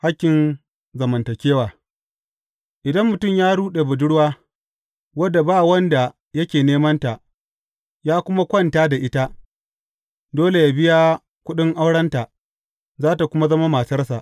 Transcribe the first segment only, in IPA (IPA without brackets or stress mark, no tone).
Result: h